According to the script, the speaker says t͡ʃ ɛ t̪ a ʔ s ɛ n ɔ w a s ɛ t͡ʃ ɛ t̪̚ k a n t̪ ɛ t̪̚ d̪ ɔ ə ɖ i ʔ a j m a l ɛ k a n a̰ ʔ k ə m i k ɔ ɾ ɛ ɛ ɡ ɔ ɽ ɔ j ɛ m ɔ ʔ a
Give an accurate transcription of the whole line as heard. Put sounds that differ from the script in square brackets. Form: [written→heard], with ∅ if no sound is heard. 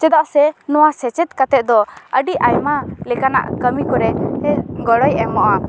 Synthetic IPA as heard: t͡ʃ ɛ [t̪→d̪] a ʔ s ɛ n ɔ w a s ɛ t͡ʃ ɛ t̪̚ k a [n→∅] t̪ ɛ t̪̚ d̪ ɔ ə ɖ i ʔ a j m a l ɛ k a n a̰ ʔ k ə m i k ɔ ɾ ɛ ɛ ɡ ɔ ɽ ɔ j ɛ m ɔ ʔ a